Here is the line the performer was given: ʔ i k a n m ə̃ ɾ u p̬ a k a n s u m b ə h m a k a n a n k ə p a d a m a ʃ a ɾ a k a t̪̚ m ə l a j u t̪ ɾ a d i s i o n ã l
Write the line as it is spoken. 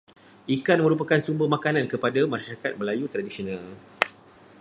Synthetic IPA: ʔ i k a n m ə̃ ɾ u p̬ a k a n s u m b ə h m a k a n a n k ə p a d a m a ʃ a ɾ a k a t̪̚ m ə l a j u t̪ ɾ a d i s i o n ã l